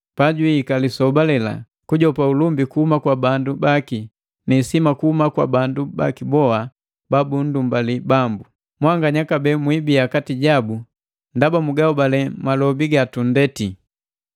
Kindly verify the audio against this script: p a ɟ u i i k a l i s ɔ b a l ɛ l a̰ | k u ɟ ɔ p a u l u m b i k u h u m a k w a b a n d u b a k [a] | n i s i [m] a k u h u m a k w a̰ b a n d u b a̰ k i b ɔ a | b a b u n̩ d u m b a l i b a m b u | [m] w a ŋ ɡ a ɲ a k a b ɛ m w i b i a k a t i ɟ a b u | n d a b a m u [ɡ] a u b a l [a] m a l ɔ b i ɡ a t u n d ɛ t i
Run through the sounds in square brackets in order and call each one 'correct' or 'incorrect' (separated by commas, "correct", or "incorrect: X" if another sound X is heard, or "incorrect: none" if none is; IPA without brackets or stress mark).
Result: incorrect: i, correct, correct, correct, incorrect: ɛ